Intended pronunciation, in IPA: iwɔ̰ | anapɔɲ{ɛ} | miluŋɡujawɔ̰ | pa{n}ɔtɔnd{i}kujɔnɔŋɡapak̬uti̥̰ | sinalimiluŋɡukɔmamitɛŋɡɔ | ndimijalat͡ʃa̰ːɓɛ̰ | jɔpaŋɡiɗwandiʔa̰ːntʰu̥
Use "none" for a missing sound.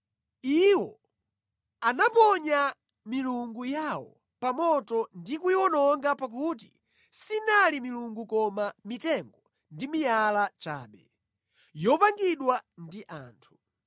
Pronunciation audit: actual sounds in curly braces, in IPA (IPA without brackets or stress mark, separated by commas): a, m, i